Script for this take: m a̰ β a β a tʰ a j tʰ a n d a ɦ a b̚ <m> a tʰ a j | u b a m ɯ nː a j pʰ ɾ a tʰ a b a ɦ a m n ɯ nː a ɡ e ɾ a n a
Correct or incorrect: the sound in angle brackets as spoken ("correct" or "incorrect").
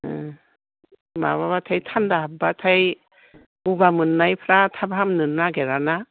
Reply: incorrect